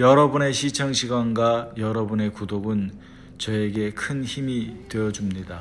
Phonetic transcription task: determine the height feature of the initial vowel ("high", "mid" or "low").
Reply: mid